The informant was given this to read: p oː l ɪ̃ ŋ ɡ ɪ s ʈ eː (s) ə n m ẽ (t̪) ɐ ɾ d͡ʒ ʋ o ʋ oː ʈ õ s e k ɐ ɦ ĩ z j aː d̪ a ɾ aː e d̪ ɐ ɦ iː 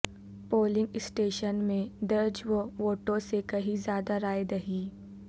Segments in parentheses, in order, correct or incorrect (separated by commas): incorrect, incorrect